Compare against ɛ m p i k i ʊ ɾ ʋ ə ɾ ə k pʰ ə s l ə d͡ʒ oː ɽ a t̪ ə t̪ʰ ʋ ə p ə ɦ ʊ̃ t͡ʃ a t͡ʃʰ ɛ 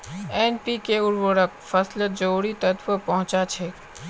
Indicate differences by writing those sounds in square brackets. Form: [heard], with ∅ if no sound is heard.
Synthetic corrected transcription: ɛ [n] p i k [e] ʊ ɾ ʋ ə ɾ ə k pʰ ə s l ə d͡ʒ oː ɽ [i] t̪ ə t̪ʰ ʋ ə p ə ɦ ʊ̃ t͡ʃ a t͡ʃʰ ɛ